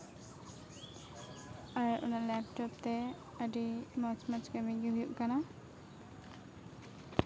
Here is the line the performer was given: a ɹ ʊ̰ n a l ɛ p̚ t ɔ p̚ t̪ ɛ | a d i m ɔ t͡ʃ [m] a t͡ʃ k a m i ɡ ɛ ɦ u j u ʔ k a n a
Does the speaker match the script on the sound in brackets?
yes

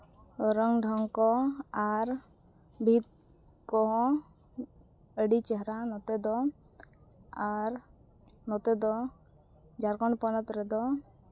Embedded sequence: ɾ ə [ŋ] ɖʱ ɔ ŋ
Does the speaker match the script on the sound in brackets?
yes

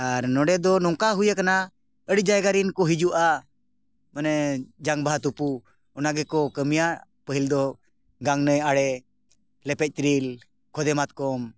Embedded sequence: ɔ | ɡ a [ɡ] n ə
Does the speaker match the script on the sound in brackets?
no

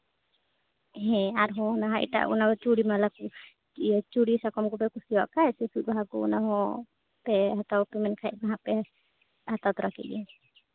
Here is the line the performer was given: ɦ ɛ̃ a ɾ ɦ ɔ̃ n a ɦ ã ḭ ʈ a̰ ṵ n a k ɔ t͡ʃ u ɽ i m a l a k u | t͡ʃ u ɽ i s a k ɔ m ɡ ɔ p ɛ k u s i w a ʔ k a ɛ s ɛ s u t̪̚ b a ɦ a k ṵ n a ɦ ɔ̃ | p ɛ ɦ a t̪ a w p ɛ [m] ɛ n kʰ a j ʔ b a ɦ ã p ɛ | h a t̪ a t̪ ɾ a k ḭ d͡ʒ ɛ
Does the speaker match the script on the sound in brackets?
yes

